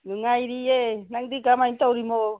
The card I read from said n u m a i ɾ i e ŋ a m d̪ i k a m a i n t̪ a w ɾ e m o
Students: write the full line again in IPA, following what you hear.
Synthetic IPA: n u ŋ a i ɾ i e n a ŋ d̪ i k a m a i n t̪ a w ɾ i m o